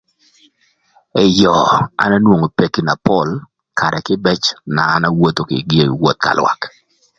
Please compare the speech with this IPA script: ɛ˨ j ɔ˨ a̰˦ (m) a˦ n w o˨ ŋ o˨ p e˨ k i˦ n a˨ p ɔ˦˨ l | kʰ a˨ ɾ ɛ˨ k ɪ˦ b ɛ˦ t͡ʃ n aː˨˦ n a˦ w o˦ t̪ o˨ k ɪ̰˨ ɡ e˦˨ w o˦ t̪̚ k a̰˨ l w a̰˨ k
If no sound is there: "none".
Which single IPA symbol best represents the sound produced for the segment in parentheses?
n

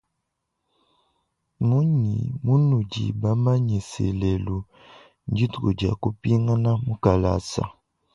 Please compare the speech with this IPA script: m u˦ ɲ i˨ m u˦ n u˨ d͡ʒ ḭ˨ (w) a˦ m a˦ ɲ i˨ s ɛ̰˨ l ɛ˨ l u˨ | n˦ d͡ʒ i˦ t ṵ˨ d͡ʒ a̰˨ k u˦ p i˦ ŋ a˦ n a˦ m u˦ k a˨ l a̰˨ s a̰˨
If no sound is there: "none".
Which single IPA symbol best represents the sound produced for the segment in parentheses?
b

